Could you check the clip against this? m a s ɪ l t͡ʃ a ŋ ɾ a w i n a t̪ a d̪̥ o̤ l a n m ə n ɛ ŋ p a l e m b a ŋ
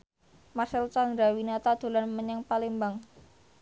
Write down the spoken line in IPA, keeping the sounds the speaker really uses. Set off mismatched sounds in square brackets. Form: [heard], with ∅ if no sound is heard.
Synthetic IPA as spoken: m a s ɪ l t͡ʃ a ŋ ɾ a w i n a t̪ a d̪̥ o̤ l a n m ə [ɲ] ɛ ŋ p a l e m b a ŋ